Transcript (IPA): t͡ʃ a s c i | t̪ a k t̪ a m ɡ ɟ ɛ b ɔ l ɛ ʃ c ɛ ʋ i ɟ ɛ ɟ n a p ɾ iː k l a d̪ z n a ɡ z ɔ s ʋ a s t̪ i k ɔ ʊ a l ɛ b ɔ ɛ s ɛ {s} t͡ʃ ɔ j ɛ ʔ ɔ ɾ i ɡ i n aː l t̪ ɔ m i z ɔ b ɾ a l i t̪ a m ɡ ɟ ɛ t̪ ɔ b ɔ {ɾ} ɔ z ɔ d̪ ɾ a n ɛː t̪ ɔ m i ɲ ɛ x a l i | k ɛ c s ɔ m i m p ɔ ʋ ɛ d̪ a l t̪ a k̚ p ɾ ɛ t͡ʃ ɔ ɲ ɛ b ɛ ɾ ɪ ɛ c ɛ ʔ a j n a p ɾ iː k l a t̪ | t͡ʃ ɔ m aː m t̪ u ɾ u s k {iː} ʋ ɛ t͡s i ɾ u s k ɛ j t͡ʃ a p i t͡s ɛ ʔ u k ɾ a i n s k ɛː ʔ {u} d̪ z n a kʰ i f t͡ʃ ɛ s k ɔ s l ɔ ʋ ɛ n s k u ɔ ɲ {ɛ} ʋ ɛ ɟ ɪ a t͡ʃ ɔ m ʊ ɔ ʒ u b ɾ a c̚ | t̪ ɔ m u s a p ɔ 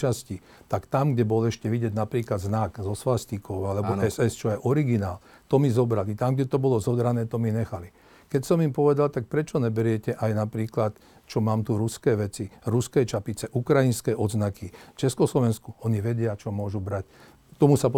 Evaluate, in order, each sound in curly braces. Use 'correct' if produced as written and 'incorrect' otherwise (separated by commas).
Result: correct, incorrect, incorrect, incorrect, incorrect